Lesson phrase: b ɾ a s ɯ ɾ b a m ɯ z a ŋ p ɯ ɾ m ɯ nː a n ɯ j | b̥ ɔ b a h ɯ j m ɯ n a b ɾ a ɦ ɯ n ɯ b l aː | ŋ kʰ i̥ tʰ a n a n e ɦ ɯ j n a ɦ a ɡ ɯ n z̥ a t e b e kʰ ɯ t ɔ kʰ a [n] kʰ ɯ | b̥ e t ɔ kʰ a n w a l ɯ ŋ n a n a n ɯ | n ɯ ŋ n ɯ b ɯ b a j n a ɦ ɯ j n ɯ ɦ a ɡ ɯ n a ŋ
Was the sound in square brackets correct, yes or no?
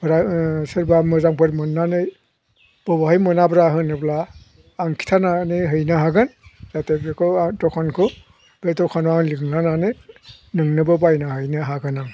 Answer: yes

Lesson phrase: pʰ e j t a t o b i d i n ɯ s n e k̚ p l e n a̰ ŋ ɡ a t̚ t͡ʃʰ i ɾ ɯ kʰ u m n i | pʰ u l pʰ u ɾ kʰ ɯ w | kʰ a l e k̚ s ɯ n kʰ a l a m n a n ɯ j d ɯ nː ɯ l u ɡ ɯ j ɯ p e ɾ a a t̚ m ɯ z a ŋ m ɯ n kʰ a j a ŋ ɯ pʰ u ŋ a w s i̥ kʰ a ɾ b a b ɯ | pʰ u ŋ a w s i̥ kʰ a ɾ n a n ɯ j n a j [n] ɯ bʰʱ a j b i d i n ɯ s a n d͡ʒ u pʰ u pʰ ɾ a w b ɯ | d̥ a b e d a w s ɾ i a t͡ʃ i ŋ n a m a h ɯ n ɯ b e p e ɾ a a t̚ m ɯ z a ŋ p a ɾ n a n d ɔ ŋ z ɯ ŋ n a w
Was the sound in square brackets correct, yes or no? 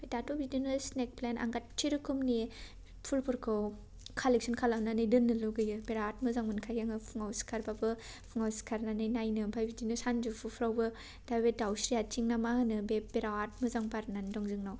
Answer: yes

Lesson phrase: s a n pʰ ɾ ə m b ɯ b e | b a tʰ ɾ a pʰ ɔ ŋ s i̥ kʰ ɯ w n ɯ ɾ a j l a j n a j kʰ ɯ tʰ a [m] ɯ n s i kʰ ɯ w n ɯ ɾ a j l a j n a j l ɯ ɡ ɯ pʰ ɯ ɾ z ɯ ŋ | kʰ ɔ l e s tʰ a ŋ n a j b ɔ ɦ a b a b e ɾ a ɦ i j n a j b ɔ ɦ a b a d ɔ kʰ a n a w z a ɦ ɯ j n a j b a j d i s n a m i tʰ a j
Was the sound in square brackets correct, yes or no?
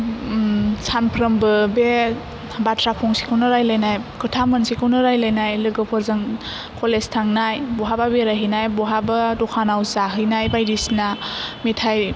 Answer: yes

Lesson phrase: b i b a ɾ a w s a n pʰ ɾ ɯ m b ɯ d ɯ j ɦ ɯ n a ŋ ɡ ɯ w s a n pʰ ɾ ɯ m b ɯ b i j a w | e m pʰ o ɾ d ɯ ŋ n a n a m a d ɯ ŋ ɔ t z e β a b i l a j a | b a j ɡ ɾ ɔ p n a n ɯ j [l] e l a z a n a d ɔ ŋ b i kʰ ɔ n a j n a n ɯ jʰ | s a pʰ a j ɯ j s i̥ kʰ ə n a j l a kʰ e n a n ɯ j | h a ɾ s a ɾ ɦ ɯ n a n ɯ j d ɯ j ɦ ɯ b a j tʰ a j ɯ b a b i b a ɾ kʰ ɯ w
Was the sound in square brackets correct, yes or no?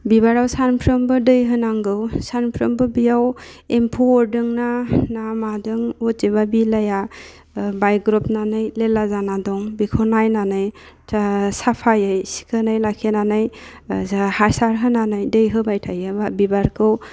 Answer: yes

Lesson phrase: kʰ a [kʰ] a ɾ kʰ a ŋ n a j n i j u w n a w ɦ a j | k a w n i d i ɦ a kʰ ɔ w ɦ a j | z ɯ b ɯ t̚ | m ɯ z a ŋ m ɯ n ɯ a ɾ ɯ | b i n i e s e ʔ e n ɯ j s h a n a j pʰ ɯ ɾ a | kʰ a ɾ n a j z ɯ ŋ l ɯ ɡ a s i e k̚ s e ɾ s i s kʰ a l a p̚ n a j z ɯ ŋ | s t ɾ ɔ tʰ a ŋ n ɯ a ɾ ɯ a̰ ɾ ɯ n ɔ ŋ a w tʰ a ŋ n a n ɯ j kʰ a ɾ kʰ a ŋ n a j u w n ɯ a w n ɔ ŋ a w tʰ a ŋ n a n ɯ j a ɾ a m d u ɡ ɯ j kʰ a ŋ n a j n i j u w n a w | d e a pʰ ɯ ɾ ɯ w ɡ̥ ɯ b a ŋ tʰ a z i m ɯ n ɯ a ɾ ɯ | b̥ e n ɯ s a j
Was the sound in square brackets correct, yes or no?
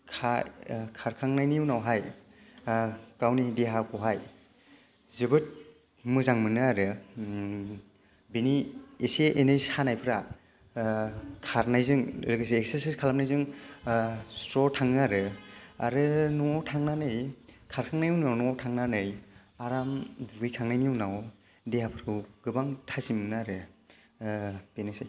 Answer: yes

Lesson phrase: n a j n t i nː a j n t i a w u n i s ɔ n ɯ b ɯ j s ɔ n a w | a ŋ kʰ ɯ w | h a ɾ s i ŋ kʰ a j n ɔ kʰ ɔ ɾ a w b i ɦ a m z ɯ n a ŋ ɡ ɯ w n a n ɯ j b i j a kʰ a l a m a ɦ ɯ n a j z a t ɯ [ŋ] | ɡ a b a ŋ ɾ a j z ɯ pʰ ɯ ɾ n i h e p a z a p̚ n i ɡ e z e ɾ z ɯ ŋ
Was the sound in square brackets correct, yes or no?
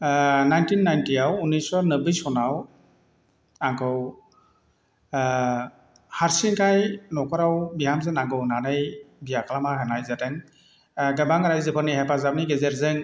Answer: yes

